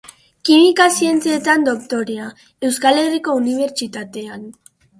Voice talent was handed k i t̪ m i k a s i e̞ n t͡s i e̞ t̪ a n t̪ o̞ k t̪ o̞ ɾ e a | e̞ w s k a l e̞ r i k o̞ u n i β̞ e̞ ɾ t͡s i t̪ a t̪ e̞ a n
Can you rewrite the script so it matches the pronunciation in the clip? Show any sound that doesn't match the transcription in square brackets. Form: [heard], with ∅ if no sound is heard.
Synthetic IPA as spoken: k i [∅] m i k a s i e̞ n t͡s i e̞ t̪ a n [d̪] o̞ k t̪ o̞ ɾ e a | e̞ w s k a l e̞ r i k o̞ u n i β̞ e̞ ɾ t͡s i t̪ a t̪ e̞ a n